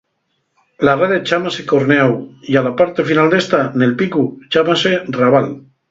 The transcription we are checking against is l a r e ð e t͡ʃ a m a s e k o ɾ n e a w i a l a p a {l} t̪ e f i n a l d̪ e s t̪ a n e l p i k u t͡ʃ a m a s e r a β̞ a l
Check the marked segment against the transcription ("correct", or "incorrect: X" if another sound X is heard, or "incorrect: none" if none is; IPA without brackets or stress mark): incorrect: ɾ